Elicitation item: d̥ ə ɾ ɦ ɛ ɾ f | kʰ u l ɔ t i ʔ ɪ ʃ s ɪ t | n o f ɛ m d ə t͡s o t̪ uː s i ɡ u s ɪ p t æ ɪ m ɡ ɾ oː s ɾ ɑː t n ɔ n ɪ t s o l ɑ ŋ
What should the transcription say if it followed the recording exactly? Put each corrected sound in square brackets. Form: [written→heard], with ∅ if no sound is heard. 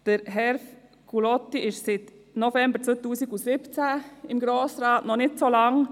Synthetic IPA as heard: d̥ ə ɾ ɦ ɛ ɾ f | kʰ u l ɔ t i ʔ ɪ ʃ s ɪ t | n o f ɛ m [d→b] ə t͡s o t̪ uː s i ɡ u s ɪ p [t→t͡s] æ ɪ m ɡ ɾ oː s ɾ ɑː t n ɔ n ɪ t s o l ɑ ŋ